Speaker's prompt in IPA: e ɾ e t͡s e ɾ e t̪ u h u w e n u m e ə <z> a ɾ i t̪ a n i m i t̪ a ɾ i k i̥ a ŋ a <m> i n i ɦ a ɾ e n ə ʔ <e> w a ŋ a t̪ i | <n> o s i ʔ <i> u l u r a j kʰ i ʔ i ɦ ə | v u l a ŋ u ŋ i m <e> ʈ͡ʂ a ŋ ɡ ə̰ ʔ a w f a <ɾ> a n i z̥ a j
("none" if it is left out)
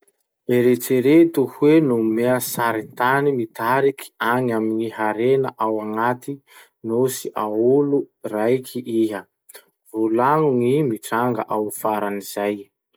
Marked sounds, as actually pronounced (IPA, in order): s, m, a, n, a, i, ɾ

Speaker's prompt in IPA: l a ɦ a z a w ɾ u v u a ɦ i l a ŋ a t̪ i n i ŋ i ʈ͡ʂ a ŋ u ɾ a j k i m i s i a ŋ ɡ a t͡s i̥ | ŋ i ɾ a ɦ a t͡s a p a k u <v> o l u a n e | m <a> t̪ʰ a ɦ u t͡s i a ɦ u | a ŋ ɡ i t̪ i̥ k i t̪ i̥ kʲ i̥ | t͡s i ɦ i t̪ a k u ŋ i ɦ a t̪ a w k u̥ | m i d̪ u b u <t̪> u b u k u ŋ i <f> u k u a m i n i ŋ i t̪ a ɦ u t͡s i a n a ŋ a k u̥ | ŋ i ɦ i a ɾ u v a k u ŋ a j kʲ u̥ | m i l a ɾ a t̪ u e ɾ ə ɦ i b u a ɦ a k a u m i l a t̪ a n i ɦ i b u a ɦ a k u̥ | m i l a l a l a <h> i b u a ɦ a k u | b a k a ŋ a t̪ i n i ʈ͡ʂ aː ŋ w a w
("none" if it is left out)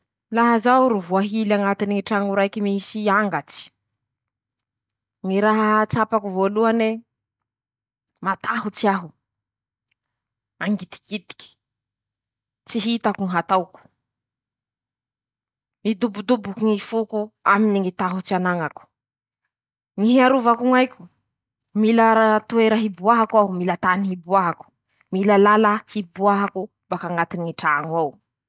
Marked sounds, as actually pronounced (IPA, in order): v, a, d̪, f, h

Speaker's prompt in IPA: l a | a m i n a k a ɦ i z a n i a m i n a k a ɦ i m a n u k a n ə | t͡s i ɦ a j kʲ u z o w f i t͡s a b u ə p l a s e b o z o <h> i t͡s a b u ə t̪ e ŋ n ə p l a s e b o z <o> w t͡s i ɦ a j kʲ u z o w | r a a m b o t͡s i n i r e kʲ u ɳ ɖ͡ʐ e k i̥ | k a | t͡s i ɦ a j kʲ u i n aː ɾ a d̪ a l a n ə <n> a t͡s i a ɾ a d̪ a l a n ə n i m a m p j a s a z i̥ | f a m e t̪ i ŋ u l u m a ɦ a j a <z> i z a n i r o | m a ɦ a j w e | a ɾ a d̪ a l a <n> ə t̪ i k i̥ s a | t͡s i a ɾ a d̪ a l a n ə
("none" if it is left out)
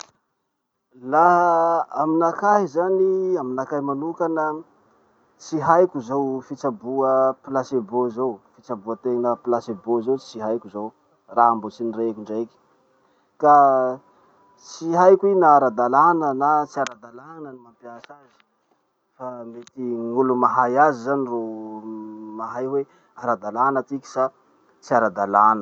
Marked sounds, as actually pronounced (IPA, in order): f, o, n, z, n

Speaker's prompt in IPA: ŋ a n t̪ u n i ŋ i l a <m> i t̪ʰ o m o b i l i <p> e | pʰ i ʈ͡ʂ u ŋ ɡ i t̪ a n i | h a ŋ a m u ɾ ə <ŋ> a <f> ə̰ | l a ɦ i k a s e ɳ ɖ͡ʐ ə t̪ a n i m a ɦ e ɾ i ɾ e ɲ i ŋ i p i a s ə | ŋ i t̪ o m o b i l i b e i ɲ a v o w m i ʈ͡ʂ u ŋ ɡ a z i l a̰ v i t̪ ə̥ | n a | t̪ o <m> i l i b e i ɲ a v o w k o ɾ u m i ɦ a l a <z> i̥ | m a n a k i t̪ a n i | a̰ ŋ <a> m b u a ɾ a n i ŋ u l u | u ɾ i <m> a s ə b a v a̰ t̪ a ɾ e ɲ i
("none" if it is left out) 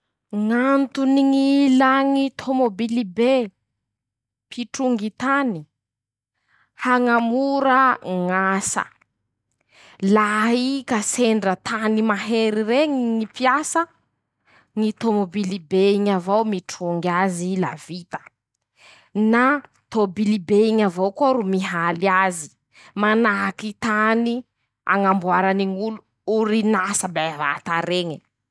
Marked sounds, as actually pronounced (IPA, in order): ŋ, b, ŋ, s, b, z, a, n

